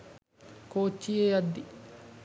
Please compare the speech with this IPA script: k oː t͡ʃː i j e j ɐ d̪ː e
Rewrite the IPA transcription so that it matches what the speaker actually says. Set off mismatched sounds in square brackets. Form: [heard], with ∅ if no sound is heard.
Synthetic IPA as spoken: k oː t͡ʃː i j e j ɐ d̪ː [i]